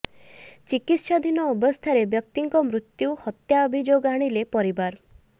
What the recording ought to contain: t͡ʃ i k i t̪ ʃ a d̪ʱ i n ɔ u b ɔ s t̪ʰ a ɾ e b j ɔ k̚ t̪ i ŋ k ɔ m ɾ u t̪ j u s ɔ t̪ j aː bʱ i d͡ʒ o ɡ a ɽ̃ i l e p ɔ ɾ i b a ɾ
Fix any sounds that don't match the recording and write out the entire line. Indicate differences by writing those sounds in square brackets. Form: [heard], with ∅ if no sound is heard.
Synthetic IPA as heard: t͡ʃ i k i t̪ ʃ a d̪ʱ i n ɔ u b ɔ s t̪ʰ a ɾ e b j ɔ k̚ t̪ i ŋ k ɔ m ɾ u t̪ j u [h] ɔ t̪ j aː bʱ i d͡ʒ o ɡ a ɽ̃ i l e p ɔ ɾ i b a ɾ